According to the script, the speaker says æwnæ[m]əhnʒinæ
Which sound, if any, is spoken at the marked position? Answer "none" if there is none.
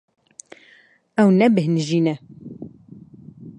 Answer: b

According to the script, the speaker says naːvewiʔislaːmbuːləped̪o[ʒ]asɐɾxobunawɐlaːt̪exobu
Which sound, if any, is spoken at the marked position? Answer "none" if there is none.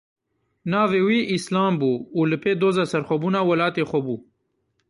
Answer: z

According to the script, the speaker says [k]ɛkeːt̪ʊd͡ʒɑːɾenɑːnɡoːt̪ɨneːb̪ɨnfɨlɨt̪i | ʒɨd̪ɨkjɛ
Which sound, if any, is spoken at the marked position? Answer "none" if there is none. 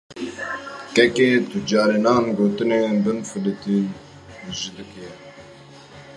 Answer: k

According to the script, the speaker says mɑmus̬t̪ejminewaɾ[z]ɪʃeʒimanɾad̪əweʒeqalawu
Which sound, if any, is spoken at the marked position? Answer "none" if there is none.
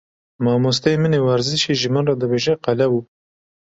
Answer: z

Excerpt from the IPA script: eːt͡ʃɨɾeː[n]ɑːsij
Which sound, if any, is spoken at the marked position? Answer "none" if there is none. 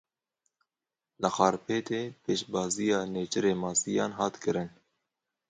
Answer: m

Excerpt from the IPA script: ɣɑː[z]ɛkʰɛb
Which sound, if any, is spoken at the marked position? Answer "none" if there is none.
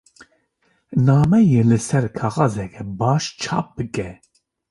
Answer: z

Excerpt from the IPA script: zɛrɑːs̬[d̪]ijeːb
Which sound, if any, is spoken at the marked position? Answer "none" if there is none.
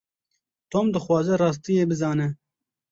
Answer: t̪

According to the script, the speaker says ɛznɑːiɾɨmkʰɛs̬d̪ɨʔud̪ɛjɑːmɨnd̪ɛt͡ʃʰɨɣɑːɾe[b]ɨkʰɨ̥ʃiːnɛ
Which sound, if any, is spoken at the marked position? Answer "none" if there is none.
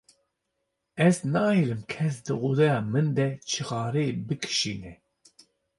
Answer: b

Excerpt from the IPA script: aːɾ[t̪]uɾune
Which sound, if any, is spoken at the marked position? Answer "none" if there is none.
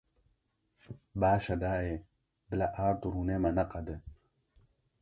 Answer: t̪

